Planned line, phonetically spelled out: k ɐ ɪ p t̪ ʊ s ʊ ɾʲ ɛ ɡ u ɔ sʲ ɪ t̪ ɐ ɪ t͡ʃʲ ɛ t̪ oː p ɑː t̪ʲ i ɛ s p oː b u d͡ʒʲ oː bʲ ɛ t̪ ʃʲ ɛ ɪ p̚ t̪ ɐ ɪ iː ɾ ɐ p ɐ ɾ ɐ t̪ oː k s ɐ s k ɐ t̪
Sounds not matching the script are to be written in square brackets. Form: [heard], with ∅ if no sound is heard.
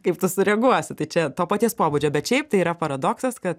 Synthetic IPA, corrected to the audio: k ɐ ɪ p t̪ ʊ s ʊ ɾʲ ɛ ɡ u ɔ sʲ ɪ t̪ ɐ ɪ t͡ʃʲ ɛ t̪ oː p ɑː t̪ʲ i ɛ s p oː b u d͡ʒʲ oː bʲ ɛ t̪ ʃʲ ɛ ɪ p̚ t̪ ɐ ɪ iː ɾ ɐ p ɐ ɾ ɐ [d̪] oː k s ɐ s k ɐ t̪